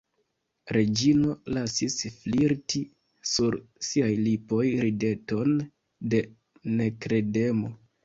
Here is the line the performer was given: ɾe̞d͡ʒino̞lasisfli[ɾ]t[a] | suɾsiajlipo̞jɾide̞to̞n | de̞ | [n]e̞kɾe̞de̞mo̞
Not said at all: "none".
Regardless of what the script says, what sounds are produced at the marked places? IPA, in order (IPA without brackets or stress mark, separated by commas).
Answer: ɾ, i, n